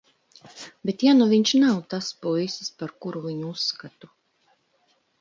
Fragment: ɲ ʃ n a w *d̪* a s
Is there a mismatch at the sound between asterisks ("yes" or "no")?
yes